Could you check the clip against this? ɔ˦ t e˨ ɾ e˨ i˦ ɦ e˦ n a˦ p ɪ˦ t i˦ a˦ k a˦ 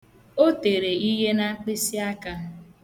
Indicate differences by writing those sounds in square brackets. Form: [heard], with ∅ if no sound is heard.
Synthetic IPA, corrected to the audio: [o˦] t e˨ ɾ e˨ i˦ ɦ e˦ n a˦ [k͡p] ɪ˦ [s] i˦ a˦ k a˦